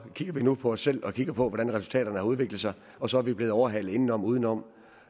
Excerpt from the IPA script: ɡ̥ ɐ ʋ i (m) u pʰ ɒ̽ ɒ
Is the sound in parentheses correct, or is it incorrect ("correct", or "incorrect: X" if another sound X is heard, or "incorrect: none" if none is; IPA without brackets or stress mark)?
incorrect: n